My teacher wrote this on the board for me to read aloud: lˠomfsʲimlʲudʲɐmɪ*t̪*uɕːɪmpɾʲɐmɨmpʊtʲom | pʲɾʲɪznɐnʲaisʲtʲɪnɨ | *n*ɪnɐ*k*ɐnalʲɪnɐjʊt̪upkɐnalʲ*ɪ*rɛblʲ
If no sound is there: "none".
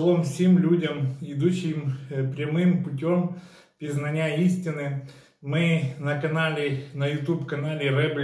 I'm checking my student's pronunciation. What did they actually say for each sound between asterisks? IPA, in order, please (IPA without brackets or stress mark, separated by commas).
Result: d̪, m, k, ɪ